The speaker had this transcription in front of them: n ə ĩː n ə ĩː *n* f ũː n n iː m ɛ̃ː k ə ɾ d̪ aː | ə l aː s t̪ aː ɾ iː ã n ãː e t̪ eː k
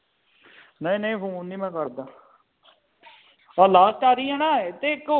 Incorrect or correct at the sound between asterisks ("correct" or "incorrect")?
incorrect